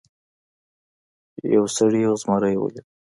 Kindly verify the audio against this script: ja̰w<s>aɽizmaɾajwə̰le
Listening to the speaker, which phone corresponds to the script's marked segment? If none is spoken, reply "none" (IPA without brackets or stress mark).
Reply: s